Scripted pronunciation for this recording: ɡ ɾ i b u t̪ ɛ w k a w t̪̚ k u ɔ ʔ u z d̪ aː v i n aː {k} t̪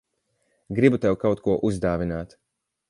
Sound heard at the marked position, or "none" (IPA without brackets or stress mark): none